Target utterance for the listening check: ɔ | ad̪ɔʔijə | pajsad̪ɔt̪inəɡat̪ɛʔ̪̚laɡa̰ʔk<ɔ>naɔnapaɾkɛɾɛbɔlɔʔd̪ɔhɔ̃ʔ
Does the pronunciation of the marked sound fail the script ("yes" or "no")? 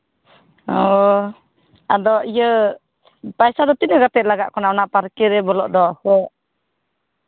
no